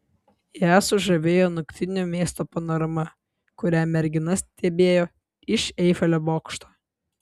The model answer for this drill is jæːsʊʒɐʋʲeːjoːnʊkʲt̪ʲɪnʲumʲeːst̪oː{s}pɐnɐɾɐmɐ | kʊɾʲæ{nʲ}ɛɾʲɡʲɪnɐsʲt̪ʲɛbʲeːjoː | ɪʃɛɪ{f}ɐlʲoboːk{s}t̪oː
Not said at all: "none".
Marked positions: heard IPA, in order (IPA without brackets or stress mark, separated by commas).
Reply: none, mʲ, f, ʃ